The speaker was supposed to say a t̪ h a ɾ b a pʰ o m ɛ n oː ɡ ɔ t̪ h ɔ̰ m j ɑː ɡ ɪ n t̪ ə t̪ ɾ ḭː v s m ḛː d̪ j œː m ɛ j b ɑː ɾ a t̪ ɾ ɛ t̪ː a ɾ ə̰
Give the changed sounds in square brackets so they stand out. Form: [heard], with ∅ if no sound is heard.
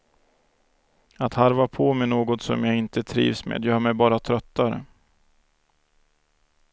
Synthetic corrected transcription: a t̪ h a ɾ [v] a pʰ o m ɛ n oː ɡ ɔ t̪ [s] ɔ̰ m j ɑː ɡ ɪ n t̪ ə [t̪ʰ] ɾ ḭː v s m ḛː d̪ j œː m ɛ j b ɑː ɾ a [t̪ʰ] ɾ [œ] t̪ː a ɾ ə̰